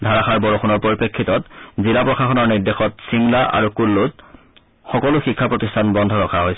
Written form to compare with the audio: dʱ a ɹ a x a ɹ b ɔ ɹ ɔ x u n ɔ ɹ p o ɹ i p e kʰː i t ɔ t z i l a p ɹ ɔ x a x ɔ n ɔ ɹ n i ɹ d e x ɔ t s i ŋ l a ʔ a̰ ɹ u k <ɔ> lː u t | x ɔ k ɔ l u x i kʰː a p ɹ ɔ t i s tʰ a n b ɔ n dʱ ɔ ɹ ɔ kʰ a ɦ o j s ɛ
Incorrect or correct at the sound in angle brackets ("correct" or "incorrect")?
incorrect